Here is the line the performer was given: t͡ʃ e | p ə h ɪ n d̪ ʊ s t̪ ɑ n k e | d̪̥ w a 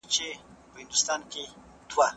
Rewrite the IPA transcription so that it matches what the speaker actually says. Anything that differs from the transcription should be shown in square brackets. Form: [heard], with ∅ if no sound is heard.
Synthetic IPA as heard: t͡ʃ e | p ə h ɪ n d̪ ʊ s t̪ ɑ n k e | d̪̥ w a